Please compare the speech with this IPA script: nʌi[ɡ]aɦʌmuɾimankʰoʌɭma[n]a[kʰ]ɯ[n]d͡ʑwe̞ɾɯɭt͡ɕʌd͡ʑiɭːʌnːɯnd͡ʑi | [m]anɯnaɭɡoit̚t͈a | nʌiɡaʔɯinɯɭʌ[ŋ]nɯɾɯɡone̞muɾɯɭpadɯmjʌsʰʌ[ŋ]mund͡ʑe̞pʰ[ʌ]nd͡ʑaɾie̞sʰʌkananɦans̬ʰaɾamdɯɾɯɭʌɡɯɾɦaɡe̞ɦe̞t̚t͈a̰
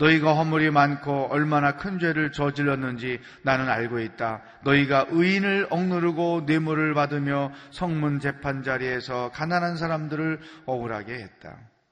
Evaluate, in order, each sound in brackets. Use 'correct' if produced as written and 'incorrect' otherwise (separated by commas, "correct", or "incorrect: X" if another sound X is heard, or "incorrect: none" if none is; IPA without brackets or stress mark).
correct, correct, correct, correct, incorrect: n, correct, correct, incorrect: a